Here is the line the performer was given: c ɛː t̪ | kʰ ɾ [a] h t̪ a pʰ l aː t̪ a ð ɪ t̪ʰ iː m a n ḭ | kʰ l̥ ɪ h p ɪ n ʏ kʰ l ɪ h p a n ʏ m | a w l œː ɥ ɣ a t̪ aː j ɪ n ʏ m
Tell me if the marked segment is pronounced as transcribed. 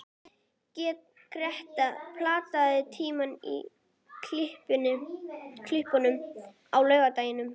no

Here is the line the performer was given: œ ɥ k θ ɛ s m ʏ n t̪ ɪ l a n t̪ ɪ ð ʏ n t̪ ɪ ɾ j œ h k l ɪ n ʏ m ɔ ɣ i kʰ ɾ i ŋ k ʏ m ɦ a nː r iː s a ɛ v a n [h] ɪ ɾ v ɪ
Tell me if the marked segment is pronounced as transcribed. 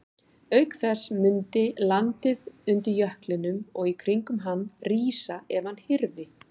yes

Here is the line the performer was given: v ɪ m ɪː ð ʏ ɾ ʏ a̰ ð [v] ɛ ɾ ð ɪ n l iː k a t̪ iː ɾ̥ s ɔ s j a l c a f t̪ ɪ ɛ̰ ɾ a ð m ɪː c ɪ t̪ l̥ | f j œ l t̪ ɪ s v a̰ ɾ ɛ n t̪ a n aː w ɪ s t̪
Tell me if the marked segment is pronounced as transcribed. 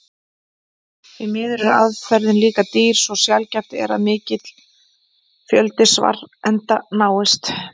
no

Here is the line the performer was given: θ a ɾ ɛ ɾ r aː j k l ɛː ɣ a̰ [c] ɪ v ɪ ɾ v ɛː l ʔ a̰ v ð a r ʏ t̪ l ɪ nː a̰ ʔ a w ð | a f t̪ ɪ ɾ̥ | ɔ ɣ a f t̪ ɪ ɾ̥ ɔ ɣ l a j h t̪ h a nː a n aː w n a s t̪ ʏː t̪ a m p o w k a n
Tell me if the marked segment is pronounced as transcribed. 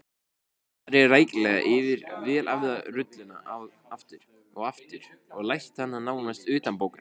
no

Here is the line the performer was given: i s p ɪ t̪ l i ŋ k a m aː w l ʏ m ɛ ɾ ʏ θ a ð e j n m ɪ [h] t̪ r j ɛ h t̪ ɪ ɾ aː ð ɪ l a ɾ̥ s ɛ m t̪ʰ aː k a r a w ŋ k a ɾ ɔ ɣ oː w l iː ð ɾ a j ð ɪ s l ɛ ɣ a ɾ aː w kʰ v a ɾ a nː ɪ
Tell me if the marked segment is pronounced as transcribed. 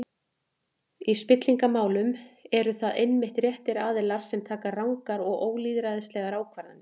yes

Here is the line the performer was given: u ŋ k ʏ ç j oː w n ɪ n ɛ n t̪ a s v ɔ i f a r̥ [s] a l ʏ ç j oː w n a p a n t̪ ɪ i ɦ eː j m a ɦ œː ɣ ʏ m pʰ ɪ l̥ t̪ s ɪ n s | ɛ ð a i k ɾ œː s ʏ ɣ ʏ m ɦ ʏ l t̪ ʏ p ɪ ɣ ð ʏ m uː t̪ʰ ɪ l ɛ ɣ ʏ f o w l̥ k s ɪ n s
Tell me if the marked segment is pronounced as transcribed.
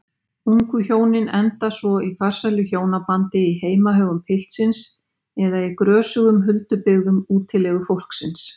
yes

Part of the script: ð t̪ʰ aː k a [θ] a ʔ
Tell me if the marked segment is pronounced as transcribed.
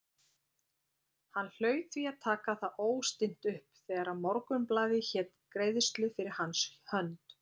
yes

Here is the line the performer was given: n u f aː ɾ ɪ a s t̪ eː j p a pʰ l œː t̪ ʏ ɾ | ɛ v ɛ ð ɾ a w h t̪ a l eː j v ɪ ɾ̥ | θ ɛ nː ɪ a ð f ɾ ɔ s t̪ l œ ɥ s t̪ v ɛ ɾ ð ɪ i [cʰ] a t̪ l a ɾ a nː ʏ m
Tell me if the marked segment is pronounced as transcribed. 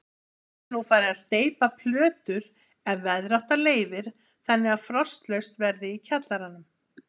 yes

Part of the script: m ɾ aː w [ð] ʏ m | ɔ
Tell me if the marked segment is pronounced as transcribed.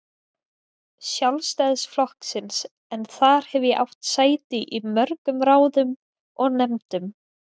yes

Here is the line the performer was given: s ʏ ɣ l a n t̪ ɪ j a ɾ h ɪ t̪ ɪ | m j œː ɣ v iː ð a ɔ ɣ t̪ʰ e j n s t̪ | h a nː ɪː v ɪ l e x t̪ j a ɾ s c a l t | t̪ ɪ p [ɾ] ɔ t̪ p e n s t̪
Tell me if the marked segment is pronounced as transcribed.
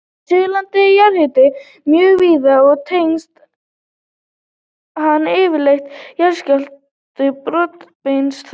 yes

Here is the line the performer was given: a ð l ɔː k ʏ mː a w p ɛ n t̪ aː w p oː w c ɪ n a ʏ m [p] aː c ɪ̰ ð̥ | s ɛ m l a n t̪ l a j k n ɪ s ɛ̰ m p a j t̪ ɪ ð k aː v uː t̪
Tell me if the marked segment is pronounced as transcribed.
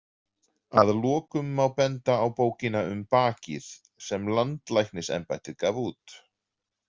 yes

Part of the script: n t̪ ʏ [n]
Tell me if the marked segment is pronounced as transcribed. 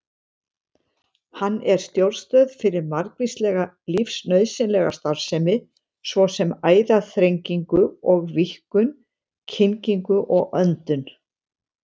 yes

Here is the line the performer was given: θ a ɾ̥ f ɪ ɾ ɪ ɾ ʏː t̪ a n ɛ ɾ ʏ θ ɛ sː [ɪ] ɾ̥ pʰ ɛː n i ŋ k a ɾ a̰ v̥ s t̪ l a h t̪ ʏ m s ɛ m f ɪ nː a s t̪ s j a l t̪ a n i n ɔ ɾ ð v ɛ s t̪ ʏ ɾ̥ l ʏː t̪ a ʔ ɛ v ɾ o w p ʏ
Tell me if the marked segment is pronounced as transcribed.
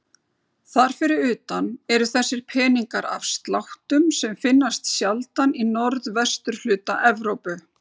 yes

